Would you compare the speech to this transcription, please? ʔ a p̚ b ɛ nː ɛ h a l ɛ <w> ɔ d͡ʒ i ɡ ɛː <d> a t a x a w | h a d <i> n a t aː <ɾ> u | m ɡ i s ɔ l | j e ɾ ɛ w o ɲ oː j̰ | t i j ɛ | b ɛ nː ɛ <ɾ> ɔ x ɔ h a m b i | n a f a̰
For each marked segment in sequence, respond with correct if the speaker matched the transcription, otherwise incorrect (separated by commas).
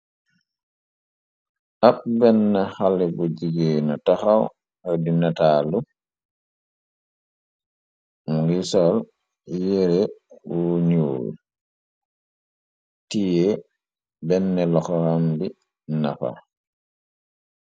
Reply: incorrect, incorrect, correct, incorrect, incorrect